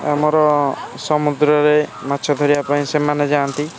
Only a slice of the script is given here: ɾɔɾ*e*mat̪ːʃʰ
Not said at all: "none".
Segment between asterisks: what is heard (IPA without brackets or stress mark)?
e